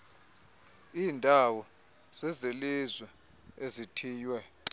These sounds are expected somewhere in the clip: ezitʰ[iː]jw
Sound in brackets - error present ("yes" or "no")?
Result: no